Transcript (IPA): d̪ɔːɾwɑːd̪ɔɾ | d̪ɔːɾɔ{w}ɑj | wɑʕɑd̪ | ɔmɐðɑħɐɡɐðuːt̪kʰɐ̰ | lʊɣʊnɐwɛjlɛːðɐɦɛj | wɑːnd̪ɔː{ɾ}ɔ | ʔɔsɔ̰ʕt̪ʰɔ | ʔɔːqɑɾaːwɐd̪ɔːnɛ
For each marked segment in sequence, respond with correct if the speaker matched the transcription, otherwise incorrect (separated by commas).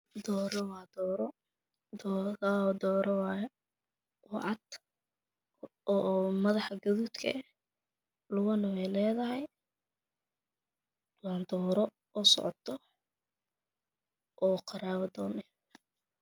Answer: correct, correct